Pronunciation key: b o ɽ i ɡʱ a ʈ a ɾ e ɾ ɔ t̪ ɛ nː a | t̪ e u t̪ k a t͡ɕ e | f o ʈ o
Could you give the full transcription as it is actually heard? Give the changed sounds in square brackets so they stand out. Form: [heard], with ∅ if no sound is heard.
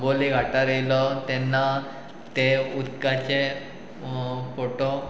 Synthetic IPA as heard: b o [l] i ɡʱ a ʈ a ɾ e [l] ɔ t̪ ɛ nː a | t̪ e u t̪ k a t͡ɕ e | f o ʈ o